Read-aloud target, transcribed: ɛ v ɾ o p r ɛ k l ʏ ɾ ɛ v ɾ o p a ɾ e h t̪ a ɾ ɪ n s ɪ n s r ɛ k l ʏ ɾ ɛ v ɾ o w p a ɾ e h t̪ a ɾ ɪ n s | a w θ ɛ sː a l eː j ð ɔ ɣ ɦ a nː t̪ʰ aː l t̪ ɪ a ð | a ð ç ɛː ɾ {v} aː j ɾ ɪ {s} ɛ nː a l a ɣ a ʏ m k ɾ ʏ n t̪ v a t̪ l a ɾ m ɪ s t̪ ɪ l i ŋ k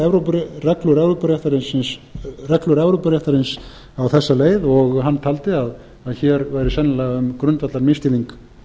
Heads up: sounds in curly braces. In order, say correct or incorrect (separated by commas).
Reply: correct, correct